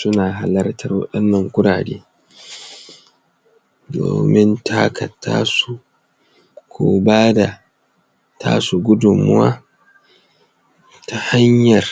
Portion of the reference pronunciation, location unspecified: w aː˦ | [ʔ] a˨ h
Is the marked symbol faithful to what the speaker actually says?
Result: no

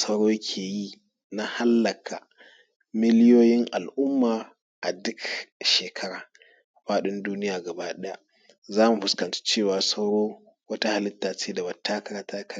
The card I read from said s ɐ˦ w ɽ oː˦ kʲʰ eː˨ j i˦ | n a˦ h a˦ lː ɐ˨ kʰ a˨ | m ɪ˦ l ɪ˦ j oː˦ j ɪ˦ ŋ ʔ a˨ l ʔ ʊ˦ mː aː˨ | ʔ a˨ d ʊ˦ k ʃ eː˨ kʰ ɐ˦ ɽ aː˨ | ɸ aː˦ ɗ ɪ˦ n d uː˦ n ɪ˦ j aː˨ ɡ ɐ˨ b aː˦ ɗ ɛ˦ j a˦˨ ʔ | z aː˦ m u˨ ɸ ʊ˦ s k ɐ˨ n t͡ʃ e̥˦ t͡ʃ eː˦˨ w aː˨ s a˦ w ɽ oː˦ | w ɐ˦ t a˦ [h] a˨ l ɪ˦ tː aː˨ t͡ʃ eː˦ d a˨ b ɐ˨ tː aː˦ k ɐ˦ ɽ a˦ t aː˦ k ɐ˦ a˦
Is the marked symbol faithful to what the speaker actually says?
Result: yes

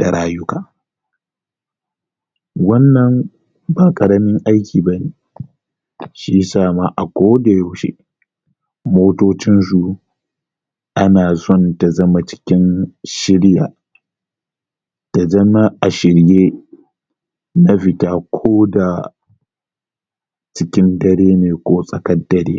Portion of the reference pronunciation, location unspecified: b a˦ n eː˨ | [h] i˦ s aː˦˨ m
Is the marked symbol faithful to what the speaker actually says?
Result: no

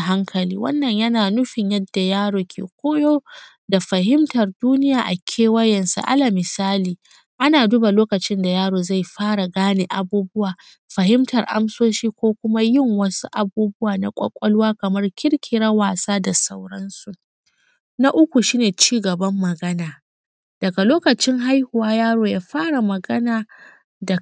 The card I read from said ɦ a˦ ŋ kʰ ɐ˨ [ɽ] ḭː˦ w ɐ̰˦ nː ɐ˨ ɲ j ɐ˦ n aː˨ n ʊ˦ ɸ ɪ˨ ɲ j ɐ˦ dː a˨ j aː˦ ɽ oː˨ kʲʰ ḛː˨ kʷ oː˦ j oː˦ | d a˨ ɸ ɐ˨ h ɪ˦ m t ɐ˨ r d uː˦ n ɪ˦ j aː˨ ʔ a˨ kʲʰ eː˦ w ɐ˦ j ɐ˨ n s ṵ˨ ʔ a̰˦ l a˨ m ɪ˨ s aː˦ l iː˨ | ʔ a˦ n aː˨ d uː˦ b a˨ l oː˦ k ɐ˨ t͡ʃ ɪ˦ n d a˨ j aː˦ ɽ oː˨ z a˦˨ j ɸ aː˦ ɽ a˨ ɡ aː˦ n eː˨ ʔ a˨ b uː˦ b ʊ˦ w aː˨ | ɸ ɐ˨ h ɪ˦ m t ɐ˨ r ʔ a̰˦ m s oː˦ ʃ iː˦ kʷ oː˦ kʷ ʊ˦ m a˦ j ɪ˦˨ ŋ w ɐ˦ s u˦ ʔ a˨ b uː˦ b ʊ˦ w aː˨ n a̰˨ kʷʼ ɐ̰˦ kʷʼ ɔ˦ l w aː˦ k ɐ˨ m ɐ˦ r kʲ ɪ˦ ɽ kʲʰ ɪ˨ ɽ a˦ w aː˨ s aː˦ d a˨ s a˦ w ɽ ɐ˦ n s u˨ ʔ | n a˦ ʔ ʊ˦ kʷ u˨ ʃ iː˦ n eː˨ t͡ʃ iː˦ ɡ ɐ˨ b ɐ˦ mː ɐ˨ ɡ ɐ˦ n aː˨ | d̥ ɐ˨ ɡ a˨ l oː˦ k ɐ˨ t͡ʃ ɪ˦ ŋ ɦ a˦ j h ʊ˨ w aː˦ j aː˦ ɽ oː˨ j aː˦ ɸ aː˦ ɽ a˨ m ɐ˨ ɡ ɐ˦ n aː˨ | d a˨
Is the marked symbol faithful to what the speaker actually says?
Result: no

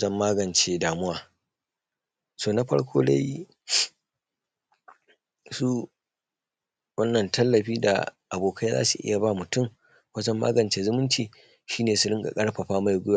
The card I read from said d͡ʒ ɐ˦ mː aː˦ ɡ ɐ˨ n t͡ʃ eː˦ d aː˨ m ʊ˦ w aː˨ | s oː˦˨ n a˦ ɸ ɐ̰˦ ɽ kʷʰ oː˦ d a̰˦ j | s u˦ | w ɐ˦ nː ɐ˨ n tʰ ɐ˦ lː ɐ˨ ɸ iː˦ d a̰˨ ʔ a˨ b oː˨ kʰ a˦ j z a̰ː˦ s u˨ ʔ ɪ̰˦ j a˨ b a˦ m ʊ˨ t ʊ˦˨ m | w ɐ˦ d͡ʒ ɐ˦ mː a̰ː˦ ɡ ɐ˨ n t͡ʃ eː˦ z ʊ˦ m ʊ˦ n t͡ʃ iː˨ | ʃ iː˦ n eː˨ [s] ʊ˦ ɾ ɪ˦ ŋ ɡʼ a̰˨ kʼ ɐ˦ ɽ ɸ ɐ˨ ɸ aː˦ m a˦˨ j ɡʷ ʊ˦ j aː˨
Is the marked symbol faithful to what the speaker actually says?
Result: yes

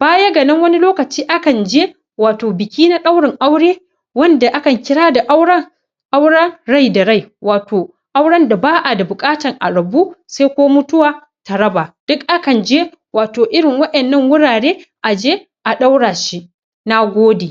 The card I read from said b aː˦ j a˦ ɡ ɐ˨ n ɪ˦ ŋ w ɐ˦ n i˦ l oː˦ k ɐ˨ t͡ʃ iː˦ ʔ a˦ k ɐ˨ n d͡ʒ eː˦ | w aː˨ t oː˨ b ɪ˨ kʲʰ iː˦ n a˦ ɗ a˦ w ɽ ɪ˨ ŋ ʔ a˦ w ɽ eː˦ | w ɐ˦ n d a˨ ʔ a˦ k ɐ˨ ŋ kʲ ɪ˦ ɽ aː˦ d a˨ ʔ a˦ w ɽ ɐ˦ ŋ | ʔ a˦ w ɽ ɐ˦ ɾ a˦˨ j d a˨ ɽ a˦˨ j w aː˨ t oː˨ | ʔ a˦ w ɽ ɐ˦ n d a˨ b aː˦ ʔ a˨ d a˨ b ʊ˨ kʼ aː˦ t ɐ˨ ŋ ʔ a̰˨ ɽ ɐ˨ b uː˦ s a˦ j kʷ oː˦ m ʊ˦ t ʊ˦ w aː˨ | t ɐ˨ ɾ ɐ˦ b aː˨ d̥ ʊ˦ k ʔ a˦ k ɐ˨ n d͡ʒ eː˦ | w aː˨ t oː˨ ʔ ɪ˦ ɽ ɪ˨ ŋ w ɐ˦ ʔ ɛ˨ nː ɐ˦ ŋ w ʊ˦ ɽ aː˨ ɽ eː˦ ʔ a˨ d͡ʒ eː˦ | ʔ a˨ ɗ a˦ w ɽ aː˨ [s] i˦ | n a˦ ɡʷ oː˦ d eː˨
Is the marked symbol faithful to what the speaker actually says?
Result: no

